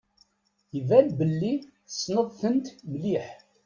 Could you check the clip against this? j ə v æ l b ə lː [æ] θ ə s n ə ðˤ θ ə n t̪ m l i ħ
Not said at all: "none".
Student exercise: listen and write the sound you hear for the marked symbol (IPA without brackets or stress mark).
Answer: i